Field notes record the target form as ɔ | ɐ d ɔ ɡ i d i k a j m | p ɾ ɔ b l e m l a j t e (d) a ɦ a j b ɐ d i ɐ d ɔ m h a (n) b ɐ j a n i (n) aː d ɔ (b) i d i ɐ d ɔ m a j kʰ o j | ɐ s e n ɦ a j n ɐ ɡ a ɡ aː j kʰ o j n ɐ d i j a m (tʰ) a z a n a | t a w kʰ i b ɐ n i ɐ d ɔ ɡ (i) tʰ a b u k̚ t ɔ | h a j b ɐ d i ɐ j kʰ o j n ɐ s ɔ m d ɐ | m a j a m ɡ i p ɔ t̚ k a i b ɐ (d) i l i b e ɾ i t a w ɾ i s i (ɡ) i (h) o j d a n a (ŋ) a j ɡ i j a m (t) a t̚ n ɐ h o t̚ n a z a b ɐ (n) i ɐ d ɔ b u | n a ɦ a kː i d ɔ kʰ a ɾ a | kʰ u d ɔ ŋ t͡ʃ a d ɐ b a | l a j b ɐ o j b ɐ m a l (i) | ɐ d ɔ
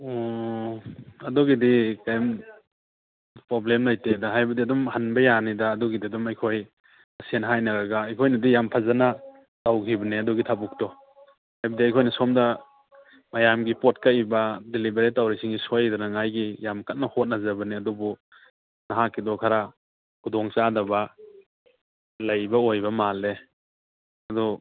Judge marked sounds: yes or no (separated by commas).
yes, yes, no, no, no, yes, yes, no, no, yes, no, yes, no